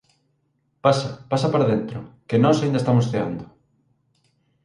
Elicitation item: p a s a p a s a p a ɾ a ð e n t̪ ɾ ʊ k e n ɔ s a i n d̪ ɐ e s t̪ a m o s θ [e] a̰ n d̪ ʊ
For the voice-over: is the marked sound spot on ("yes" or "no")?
yes